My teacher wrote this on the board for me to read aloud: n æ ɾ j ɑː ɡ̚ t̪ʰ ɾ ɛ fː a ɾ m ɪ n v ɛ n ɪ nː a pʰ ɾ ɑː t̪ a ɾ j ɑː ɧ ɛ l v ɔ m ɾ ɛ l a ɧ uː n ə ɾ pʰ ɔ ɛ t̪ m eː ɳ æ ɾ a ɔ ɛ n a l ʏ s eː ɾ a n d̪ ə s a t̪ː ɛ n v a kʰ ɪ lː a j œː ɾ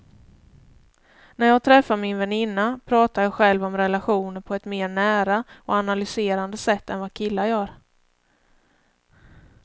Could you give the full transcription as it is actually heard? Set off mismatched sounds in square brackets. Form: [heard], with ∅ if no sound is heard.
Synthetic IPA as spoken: n æ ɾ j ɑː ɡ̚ t̪ʰ ɾ ɛ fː a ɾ m ɪ n v ɛ n ɪ nː a pʰ ɾ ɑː t̪ a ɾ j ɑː ɧ ɛ l v ɔ m ɾ ɛ l a ɧ uː n ə ɾ pʰ ɔ ɛ t̪ m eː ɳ [æː] ɾ a ɔ [a] n a l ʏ s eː ɾ a n d̪ ə s [ɛ] t̪ː ɛ n v a kʰ ɪ lː a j œː ɾ